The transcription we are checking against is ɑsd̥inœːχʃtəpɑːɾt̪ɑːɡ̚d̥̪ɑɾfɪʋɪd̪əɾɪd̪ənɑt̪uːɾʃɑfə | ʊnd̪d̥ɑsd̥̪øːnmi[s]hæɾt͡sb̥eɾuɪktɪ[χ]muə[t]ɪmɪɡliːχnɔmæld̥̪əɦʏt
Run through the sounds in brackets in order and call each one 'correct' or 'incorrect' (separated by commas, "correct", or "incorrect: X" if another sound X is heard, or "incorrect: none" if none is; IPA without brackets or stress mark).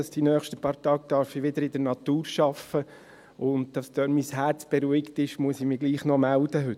correct, incorrect: ʃ, incorrect: s